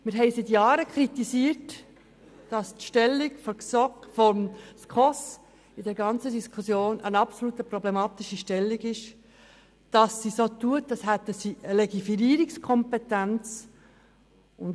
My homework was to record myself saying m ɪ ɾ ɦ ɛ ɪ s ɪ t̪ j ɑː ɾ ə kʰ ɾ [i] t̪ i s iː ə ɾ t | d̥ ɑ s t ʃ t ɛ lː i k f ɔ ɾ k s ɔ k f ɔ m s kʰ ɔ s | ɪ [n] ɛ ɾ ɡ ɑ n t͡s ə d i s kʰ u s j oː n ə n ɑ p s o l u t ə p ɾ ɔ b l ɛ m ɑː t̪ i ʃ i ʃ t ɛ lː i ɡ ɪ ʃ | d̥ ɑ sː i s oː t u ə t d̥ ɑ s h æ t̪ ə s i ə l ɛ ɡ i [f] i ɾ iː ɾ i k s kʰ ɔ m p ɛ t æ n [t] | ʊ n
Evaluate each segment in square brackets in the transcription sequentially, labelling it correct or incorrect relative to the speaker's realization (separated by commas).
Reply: correct, incorrect, correct, incorrect